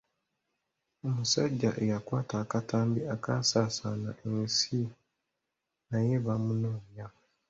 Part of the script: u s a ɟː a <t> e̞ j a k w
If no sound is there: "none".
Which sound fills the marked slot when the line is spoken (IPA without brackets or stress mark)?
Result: ʔ